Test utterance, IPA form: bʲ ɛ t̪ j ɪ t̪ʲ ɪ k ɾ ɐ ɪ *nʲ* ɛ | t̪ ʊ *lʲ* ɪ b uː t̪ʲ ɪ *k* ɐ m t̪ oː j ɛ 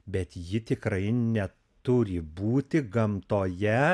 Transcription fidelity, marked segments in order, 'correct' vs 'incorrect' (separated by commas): correct, incorrect, incorrect